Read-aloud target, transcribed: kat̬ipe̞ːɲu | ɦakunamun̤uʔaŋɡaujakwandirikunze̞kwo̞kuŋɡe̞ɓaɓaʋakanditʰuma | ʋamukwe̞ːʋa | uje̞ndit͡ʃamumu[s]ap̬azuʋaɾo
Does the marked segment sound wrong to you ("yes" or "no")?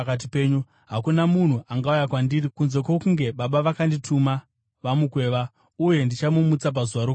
yes